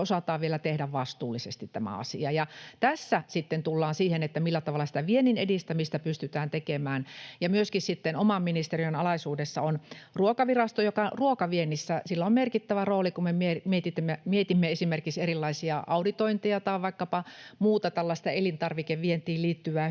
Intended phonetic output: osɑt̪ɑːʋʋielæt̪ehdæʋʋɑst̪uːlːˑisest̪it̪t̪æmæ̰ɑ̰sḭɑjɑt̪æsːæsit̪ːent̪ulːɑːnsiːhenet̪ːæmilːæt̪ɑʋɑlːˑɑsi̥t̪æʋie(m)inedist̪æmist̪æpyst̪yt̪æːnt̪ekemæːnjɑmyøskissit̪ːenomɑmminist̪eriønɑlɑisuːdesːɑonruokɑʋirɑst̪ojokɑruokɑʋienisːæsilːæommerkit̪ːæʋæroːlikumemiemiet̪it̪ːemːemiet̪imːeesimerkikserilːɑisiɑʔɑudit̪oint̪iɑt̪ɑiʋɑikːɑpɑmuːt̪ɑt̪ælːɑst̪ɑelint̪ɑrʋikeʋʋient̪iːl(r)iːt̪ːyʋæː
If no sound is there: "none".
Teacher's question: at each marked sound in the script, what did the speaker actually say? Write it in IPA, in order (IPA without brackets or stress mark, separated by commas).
n, l